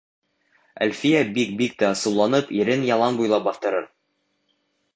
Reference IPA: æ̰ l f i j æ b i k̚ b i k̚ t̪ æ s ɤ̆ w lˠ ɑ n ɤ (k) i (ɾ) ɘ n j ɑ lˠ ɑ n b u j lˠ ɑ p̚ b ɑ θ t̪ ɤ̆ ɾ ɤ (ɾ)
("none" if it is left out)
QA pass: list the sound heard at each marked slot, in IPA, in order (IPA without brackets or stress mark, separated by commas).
p, ɾ, ɾ